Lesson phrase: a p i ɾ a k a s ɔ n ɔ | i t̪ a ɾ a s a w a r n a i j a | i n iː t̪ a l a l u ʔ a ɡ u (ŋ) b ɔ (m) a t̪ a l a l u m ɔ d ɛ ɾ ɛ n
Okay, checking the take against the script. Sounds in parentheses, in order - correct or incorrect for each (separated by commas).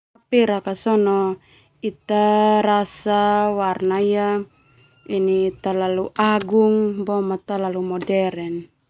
correct, correct